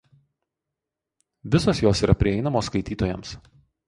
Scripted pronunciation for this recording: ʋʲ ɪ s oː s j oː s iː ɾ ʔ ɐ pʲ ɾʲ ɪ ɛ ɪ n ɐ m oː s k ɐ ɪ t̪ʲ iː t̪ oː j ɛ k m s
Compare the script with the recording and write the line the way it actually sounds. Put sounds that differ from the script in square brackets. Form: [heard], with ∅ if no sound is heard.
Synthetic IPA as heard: ʋʲ ɪ s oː s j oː s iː ɾ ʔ ɐ pʲ ɾʲ ɪ ɛ ɪ n ɐ m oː s k ɐ ɪ t̪ʲ iː t̪ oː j ɛ [∅] m s